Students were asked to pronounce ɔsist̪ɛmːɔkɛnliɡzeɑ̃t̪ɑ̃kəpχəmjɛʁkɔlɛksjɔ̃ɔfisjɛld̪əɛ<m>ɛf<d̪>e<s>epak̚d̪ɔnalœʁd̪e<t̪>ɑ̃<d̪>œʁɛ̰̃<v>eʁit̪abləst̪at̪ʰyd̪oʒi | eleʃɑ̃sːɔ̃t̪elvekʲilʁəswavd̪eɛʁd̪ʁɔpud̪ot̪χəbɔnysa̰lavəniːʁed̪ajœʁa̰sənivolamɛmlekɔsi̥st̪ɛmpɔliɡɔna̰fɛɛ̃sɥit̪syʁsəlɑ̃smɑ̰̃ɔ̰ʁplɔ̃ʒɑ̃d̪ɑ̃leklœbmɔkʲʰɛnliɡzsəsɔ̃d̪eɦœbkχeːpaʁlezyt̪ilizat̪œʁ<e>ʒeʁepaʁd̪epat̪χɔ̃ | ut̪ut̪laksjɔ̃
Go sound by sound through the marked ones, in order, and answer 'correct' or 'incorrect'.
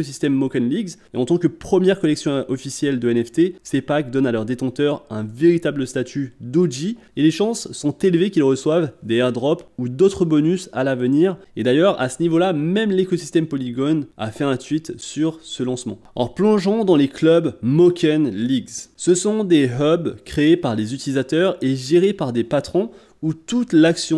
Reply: incorrect: n, incorrect: t̪, correct, correct, incorrect: t̪, correct, correct

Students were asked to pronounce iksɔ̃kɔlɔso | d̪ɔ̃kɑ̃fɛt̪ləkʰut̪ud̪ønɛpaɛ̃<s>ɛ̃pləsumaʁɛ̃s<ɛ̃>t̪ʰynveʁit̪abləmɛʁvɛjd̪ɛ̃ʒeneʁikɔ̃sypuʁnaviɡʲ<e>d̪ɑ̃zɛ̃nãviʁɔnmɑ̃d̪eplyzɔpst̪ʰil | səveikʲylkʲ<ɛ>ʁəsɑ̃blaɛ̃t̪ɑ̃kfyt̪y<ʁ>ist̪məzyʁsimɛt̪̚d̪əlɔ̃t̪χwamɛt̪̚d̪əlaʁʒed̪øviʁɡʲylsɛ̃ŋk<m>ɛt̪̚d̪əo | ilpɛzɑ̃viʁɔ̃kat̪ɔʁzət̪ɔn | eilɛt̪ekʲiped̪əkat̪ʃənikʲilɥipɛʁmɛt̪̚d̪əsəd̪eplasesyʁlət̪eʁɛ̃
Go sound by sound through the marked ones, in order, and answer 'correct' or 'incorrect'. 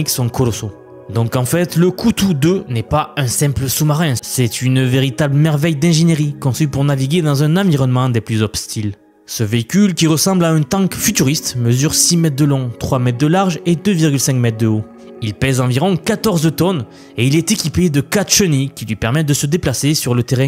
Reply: correct, incorrect: ɛ, correct, incorrect: i, correct, correct

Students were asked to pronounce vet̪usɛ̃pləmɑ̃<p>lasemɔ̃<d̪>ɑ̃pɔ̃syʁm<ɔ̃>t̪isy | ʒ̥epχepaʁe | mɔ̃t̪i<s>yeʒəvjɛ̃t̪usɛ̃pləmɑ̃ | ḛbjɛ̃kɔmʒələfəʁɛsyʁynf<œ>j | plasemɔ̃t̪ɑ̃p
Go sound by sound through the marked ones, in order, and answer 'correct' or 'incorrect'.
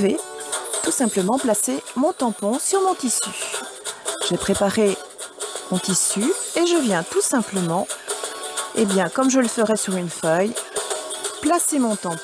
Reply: correct, incorrect: t̪, correct, correct, correct

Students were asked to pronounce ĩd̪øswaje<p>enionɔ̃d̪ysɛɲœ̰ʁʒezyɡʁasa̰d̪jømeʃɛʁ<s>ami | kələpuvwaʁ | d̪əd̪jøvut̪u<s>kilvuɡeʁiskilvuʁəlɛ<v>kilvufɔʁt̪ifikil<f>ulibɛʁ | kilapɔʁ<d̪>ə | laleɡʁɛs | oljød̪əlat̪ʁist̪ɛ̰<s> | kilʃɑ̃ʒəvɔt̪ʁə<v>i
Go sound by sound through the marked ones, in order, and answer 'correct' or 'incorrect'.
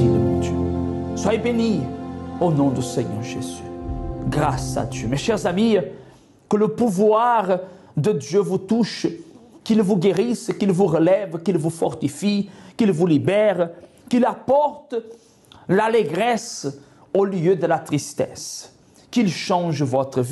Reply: incorrect: b, incorrect: z, incorrect: ʃ, correct, incorrect: v, incorrect: t̪, correct, correct

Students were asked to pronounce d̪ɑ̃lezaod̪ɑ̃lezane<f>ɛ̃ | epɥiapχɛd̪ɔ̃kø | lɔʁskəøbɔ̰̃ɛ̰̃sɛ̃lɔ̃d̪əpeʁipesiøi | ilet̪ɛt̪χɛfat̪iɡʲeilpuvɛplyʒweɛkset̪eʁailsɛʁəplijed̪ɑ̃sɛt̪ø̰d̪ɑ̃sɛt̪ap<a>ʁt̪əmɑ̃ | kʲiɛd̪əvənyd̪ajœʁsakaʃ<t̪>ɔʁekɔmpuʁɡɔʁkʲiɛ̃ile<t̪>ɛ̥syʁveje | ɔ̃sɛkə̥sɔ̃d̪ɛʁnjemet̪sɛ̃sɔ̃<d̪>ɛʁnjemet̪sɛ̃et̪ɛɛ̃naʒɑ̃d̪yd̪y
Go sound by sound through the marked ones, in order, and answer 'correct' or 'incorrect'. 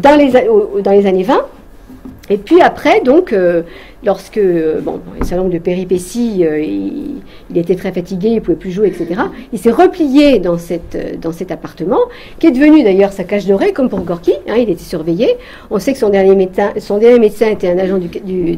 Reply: incorrect: v, correct, incorrect: d̪, correct, correct

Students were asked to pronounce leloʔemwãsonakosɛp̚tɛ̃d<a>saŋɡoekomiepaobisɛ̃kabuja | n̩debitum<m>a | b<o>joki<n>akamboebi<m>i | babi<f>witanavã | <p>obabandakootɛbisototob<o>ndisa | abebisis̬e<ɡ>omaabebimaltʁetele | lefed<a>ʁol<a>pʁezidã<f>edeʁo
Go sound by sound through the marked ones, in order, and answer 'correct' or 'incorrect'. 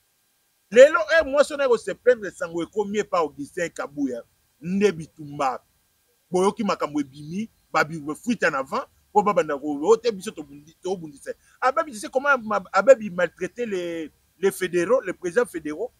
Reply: incorrect: e, incorrect: b, correct, incorrect: m, correct, correct, correct, incorrect: u, incorrect: k, incorrect: e, incorrect: e, correct

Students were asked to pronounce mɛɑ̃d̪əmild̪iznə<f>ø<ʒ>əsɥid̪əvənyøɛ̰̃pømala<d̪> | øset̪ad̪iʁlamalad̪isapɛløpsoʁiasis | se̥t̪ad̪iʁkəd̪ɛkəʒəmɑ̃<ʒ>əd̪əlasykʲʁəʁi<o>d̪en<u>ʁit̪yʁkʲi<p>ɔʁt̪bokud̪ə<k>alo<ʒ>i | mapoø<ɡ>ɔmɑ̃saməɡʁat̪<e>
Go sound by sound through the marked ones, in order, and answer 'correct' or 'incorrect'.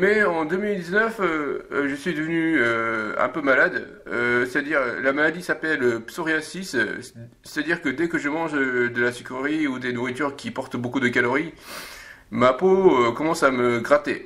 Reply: correct, correct, correct, correct, incorrect: u, correct, correct, correct, incorrect: ʁ, incorrect: k, correct

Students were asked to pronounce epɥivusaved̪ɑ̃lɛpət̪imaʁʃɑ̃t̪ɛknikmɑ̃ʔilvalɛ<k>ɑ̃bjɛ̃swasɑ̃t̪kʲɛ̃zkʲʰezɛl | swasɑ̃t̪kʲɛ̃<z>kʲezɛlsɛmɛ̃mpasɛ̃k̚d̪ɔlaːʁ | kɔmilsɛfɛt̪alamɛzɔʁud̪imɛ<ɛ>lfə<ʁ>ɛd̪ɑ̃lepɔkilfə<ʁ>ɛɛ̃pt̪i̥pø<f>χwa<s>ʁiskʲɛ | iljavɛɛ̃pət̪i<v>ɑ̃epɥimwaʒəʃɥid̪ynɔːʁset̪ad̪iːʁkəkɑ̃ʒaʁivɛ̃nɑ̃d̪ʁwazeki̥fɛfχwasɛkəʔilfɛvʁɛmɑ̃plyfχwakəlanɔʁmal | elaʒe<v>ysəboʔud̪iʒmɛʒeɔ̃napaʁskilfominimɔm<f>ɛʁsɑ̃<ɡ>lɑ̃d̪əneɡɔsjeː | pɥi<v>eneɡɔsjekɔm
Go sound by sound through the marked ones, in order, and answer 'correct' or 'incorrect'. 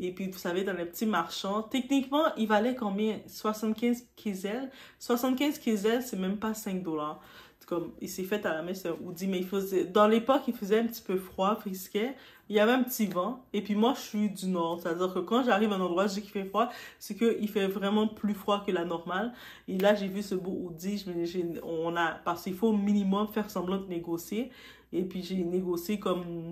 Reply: correct, correct, incorrect: i, incorrect: z, incorrect: z, correct, incorrect: f, correct, correct, correct, incorrect: b, incorrect: ʒ

